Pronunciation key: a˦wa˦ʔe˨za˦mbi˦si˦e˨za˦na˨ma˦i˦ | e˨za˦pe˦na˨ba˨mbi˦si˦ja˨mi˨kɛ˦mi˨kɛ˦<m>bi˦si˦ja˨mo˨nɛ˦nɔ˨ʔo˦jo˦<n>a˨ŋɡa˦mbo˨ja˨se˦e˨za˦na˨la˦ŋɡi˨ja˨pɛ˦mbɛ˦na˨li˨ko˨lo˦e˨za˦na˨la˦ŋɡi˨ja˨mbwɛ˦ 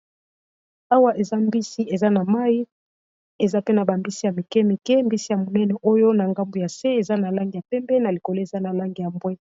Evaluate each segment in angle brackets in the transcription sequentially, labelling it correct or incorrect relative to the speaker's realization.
correct, correct

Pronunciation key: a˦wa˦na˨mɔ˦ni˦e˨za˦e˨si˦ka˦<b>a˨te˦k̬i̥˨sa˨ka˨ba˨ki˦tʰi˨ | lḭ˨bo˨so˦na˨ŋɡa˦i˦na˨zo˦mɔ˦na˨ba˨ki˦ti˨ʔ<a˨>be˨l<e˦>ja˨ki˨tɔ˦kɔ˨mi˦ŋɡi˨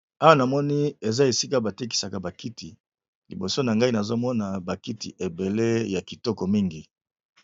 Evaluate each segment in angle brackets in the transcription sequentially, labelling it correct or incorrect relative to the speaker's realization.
correct, incorrect: e˨, correct

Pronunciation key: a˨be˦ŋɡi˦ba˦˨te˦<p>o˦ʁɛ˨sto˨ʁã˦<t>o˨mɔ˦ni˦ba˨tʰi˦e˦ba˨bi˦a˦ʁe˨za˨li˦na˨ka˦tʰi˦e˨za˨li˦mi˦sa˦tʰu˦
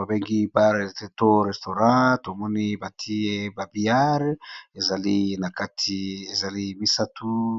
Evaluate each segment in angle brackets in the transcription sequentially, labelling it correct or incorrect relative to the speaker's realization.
incorrect: t, correct

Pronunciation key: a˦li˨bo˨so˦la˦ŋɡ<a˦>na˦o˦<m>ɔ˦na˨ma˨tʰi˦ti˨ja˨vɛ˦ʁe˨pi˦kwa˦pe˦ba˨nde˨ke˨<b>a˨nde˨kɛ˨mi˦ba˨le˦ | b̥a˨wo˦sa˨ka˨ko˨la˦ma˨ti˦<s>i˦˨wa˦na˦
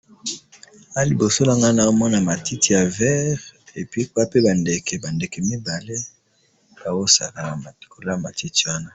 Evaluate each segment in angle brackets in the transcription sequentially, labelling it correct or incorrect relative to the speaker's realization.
correct, correct, correct, incorrect: t

